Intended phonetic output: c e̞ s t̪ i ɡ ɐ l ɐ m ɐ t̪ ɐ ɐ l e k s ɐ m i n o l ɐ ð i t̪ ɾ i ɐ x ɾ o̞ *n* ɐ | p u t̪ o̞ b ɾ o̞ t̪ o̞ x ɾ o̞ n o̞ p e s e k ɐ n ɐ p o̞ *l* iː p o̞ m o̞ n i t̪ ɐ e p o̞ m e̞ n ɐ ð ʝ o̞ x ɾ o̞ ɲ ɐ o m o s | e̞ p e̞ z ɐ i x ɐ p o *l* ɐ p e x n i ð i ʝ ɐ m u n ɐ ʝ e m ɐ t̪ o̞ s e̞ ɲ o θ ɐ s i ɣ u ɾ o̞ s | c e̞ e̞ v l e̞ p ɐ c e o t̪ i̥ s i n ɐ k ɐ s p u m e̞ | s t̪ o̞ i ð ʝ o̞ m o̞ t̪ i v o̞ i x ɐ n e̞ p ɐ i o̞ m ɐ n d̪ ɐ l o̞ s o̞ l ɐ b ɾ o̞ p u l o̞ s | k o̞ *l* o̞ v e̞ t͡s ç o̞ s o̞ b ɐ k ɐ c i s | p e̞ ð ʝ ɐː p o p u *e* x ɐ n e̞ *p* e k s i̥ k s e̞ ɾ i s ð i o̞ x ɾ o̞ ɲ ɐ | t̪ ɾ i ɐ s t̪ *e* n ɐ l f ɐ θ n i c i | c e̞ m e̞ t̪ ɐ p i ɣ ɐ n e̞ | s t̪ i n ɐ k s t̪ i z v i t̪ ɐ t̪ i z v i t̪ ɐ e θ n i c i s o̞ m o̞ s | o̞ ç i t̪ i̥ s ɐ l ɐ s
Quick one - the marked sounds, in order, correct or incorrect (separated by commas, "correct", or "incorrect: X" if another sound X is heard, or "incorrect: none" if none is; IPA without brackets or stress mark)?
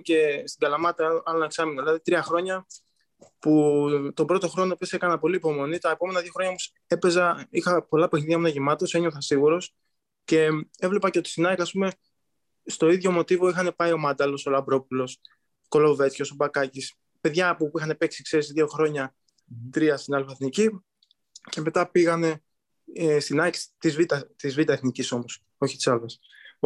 incorrect: ɲ, correct, correct, correct, incorrect: i, correct, incorrect: i